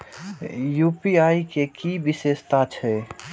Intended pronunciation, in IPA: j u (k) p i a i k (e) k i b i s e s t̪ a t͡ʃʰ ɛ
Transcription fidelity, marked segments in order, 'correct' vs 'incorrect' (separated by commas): incorrect, correct